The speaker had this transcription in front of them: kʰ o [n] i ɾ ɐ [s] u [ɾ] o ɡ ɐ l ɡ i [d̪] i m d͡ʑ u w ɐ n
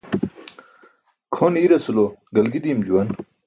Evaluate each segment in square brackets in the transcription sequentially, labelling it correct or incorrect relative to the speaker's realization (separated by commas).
correct, correct, incorrect, correct